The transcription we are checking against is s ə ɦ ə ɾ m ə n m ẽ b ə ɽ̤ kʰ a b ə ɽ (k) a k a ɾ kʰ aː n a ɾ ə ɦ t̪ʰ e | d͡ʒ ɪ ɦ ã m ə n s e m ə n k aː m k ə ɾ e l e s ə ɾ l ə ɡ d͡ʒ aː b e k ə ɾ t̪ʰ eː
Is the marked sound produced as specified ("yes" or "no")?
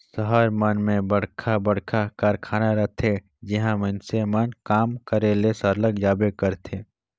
no